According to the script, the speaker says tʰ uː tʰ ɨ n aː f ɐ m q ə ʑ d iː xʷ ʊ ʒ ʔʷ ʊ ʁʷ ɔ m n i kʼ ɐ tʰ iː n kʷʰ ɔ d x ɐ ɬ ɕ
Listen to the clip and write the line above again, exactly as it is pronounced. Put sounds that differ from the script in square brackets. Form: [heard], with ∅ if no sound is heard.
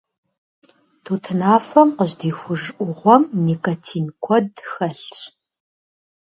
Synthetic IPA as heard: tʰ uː tʰ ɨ n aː f ɐ m q ə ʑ d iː xʷ ʊ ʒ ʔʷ ʊ ʁʷ ɔ m n i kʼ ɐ tʰ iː n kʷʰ ɔ d x ɐ ɬ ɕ